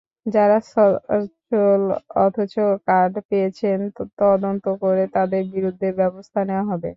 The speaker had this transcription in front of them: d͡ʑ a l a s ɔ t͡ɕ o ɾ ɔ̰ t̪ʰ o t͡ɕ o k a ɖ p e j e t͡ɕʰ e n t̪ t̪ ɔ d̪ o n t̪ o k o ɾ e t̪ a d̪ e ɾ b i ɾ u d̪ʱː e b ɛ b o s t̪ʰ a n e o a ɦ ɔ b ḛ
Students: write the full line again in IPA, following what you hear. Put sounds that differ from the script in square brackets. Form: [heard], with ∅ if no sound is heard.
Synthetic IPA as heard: d͡ʑ a [ɾ] a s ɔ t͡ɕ o [l] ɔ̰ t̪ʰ o t͡ɕ o k a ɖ p e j e t͡ɕʰ e n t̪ t̪ ɔ d̪ o n t̪ o k o ɾ e t̪ a d̪ e ɾ b i ɾ u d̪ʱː e b ɛ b o s t̪ʰ a n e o a ɦ ɔ b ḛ